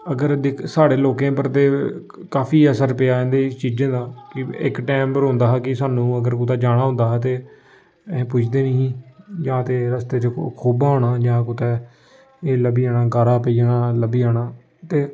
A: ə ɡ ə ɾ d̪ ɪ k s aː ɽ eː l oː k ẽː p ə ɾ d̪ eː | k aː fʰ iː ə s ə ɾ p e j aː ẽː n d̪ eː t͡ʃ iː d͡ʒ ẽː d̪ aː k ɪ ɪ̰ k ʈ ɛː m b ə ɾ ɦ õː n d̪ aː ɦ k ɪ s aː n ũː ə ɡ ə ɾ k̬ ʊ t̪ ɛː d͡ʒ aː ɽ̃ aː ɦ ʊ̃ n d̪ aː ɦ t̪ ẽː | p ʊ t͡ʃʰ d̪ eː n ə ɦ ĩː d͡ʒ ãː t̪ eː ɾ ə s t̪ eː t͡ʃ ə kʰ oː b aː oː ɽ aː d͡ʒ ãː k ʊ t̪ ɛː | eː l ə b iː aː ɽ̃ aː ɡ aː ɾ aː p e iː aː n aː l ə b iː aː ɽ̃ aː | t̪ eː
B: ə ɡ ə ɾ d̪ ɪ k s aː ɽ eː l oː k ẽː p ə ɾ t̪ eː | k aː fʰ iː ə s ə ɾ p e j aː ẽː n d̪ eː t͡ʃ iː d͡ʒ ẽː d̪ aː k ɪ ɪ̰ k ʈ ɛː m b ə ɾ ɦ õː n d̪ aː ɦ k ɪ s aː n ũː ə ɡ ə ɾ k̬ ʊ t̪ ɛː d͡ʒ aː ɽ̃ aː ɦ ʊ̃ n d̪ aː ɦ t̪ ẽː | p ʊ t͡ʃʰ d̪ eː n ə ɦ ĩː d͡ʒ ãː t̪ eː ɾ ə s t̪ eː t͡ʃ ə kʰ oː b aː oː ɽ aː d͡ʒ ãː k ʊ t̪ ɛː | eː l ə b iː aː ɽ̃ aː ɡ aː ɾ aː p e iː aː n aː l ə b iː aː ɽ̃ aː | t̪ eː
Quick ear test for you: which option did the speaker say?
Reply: B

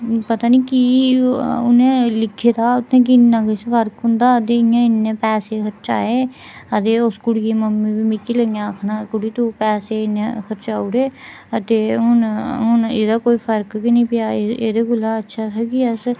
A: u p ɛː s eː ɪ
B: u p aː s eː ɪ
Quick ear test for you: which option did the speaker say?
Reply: A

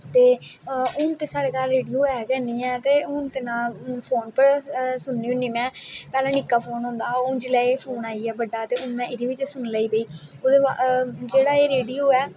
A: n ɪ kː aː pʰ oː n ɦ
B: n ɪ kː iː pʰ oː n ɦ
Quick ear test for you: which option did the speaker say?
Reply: A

